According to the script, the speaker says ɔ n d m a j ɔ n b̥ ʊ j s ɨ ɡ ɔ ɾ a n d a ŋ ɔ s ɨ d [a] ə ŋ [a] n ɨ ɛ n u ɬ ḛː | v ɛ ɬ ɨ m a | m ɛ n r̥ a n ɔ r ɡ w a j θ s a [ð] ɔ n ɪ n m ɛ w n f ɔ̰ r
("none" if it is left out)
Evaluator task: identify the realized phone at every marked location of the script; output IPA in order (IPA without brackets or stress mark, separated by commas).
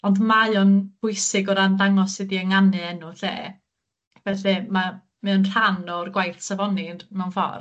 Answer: i, a, v